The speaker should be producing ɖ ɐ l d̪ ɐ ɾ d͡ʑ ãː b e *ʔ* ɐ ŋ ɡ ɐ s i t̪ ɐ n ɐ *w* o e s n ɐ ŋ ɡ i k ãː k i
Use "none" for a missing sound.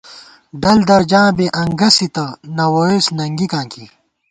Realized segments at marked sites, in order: ʔ, w

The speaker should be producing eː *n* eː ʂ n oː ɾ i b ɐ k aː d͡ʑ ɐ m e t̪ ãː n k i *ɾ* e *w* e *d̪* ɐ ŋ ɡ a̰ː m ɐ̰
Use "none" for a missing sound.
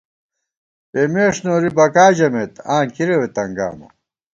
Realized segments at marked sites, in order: m, ɾ, w, t̪

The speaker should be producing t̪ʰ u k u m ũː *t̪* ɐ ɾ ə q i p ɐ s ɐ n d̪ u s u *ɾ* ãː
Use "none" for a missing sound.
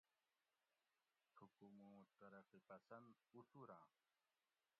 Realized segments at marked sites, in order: t̪, ɾ

